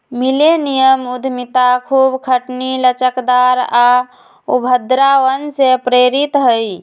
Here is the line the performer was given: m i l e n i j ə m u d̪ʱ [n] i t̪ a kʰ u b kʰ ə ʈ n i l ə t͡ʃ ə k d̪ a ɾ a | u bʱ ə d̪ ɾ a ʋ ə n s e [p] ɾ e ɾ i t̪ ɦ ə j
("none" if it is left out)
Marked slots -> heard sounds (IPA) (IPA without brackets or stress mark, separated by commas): m, p